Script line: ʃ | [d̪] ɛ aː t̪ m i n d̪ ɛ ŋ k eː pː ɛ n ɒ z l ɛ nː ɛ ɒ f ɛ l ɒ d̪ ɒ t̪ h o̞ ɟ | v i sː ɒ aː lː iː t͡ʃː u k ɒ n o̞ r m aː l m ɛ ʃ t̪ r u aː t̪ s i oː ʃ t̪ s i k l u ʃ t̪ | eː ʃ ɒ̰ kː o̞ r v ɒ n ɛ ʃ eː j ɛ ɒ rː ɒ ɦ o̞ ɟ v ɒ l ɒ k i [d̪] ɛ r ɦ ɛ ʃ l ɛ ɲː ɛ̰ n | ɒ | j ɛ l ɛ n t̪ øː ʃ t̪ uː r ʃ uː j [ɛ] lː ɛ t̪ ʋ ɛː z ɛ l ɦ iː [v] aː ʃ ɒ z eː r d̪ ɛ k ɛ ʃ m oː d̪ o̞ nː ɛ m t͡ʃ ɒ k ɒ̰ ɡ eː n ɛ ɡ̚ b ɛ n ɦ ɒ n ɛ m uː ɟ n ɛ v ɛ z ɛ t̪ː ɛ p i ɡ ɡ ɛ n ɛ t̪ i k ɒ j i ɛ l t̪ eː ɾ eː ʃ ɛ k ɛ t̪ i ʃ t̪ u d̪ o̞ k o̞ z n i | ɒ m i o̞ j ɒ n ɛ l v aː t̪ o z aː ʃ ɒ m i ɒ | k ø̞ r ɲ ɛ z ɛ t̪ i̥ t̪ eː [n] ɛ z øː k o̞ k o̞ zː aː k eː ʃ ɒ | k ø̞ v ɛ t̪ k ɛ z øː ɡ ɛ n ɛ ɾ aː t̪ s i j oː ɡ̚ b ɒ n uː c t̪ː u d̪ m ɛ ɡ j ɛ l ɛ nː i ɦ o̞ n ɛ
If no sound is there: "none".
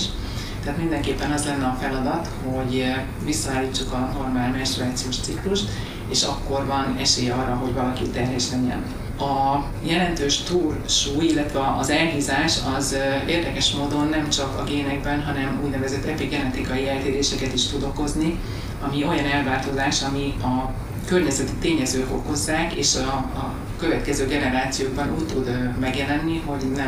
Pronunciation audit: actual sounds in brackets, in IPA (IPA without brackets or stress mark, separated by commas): t̪, t̪, i, z, ɲ